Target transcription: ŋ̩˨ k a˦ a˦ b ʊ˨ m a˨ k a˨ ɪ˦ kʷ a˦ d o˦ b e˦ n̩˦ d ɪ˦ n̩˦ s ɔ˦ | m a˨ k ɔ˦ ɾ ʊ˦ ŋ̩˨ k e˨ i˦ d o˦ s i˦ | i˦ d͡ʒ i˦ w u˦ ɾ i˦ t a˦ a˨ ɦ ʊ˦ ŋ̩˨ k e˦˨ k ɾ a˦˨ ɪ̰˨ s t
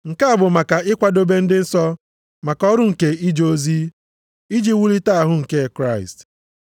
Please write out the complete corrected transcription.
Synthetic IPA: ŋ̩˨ k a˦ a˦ b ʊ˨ m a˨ k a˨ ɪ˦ kʷ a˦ d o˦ b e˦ n̩˦ d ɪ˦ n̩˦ s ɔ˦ | m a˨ k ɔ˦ ɾ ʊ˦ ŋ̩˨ k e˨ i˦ d͡ʒ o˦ z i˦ | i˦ d͡ʒ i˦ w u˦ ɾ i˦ t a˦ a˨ ɦ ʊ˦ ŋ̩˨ k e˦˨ k ɾ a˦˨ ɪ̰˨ s t

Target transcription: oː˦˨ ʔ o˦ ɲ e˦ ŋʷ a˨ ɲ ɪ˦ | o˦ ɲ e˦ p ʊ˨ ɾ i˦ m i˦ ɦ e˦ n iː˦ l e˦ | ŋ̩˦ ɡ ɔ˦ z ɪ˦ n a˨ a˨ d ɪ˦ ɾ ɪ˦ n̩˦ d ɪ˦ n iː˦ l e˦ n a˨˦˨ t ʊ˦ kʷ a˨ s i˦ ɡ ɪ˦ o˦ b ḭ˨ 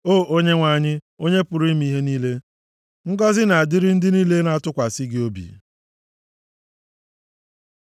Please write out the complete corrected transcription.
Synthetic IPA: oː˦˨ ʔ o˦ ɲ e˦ ŋʷ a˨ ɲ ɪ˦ | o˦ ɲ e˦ p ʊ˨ ɾ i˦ m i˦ ɦ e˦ n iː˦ l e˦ | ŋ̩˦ ɡ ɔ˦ z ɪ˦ n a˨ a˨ d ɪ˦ ɾ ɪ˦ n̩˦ d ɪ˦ n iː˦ l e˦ n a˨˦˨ t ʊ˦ kʷ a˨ s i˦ ɡ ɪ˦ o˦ b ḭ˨

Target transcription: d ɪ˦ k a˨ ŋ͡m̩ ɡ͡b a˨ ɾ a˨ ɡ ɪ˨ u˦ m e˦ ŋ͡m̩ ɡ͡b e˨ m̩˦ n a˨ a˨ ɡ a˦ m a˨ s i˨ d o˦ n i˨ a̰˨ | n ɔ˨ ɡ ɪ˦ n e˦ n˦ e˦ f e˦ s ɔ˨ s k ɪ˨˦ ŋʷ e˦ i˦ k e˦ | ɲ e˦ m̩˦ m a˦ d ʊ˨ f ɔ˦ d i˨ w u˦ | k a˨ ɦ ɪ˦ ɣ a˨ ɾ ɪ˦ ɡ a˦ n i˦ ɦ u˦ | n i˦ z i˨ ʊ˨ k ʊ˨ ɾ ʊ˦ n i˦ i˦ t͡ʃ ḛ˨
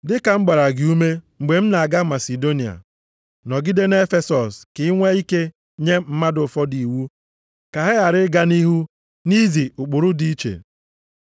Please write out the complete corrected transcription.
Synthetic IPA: d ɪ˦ k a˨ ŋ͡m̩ ɡ͡b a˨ ɾ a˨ ɡ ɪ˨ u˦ m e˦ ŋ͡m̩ ɡ͡b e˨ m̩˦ n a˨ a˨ ɡ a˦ m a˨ s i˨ d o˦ n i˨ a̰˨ | n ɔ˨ ɡ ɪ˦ d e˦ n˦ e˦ f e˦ s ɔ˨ s k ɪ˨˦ ŋʷ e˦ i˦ k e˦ | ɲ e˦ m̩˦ m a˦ d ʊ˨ f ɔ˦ d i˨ w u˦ | k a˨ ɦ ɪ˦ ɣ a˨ ɾ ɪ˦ ɡ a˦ n i˦ ɦ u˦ | n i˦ z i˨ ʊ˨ k͡p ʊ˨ ɾ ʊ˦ d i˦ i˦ t͡ʃ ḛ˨

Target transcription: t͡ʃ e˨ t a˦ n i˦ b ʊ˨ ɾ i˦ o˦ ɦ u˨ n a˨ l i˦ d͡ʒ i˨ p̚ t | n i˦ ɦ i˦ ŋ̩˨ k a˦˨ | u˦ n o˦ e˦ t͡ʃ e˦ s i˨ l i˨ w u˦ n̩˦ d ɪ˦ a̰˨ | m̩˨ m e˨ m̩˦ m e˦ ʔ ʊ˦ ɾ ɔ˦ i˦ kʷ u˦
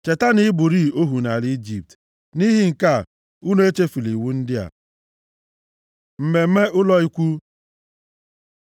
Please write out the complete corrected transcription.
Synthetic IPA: t͡ʃ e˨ t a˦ n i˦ b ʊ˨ ɾ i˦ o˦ ɦ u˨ n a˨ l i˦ d͡ʒ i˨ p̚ t | n i˦ ɦ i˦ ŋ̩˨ k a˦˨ | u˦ n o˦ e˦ t͡ʃ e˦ f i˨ l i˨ w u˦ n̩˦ d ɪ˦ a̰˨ | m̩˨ m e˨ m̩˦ m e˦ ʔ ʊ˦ l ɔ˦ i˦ kʷ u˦

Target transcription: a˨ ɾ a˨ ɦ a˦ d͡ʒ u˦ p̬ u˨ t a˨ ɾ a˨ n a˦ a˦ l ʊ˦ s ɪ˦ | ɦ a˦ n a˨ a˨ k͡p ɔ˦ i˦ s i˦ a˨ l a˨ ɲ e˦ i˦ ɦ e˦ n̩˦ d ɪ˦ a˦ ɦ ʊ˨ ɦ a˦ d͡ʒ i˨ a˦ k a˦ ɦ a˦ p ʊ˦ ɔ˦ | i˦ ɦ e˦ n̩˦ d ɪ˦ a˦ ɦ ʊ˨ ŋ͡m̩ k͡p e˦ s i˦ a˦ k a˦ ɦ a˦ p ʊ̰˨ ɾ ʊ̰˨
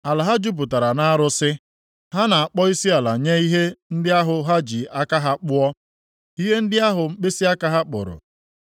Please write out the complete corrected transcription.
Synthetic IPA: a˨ l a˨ ɦ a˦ d͡ʒ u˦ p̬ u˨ t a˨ ɾ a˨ n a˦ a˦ ɾ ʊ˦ s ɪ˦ | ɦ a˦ n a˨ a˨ k͡p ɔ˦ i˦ s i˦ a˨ l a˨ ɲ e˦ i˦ ɦ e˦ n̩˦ d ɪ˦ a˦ ɦ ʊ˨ ɦ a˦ d͡ʒ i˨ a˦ k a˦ ɦ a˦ k͡p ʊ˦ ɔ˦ | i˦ ɦ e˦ n̩˦ d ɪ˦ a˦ ɦ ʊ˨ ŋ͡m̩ k͡p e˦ s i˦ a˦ k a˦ ɦ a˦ k͡p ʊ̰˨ ɾ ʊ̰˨

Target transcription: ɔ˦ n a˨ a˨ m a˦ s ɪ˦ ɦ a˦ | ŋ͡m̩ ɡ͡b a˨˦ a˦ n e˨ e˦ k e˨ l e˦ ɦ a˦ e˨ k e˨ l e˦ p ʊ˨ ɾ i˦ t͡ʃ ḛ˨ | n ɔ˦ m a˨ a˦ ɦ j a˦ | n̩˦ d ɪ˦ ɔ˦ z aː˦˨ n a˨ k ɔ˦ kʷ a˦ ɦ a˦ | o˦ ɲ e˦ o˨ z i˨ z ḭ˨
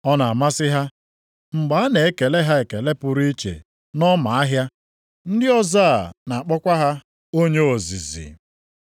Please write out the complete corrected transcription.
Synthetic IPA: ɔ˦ n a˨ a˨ m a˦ s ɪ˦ ɦ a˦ | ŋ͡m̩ ɡ͡b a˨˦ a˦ n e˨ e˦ k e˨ l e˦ ɦ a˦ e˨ k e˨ l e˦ p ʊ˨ ɾ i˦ t͡ʃ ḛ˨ | n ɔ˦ m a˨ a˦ ɦ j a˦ | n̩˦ d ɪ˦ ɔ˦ z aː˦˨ n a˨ k͡p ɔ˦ kʷ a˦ ɦ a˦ | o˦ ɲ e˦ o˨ z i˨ z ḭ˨

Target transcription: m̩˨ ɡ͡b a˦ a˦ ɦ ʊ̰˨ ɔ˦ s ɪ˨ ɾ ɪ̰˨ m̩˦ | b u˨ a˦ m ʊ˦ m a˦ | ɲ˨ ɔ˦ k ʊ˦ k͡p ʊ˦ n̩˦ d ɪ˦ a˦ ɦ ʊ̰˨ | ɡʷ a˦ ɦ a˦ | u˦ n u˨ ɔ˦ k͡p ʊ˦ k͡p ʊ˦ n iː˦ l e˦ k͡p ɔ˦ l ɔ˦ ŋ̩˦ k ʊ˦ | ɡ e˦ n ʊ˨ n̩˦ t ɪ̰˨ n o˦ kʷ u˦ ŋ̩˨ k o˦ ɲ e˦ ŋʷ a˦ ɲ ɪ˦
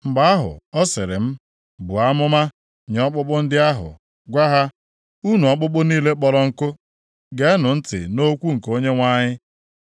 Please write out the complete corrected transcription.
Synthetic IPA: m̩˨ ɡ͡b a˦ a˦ ɦ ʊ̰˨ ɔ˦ s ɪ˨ ɾ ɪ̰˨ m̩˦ | b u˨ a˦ m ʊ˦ m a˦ | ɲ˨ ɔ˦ k͡p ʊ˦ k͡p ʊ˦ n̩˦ d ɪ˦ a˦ ɦ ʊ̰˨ | ɡʷ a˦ ɦ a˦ | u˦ n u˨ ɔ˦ k͡p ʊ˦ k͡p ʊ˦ n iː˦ l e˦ k͡p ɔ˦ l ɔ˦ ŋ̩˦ k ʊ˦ | ɡ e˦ n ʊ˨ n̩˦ t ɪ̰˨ n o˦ kʷ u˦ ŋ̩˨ k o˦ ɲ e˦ ŋʷ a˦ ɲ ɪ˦

